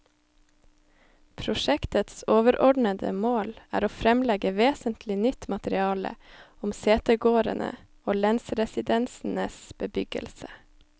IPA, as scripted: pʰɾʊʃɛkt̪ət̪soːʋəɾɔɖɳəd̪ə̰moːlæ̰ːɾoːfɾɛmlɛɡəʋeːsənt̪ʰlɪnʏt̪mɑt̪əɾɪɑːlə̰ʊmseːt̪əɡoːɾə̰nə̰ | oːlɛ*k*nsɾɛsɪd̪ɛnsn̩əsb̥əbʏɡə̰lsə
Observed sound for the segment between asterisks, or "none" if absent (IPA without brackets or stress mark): none